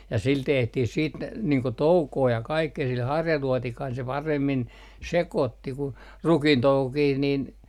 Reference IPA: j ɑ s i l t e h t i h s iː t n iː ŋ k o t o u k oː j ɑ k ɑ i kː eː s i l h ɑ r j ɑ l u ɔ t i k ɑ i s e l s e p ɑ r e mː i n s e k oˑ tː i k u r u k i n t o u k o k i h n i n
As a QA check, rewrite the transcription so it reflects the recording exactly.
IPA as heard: j ɑ s i l t e h t i h s iː t n iː ŋ k o t o u k oː j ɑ k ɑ i kː eː s i l h ɑ r j ɑ l u ɔ t i k ɑ i s e l s e p ɑ r e mː i n s e k oˑ tː i k u r u k i n t o u k o k i h n i n